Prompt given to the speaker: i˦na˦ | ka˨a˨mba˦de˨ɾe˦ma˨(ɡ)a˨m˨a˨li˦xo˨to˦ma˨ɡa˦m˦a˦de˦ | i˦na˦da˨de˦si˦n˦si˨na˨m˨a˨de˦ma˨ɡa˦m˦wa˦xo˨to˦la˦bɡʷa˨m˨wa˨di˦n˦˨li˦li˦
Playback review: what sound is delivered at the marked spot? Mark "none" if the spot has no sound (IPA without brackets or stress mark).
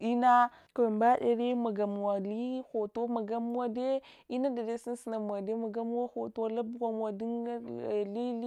ɡ